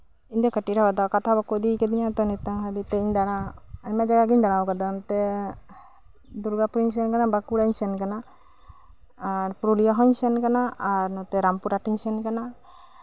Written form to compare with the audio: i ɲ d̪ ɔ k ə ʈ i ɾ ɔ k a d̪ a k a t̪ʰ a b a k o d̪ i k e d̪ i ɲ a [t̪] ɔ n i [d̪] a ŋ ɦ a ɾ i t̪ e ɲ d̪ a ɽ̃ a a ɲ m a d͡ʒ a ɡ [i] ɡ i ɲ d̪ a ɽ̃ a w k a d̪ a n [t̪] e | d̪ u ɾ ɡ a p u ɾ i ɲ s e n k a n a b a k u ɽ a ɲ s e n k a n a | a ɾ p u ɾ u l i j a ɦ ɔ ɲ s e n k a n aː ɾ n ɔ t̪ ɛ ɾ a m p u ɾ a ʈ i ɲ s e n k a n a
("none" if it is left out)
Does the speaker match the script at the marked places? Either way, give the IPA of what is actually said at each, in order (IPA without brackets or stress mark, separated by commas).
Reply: t̪, t̪, a, t̪